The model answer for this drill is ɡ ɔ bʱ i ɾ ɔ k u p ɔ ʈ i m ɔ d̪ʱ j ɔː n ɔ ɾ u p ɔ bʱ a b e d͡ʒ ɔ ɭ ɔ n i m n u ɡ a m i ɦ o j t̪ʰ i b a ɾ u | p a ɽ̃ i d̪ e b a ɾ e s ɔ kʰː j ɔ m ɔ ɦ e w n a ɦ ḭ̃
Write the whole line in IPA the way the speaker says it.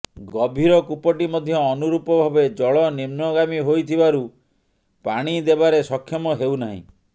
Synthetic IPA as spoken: ɡ ɔ bʱ i ɾ ɔ k u p ɔ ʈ i m ɔ d̪ʱ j ɔː n u ɾ u p ɔ bʱ a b e d͡ʒ ɔ ɭ ɔ n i m n ɔ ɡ a m i ɦ o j t̪ʰ i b a ɾ u | p a ɽ̃ i d̪ e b a ɾ e s ɔ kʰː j ɔ m ɔ ɦ e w n a ɦ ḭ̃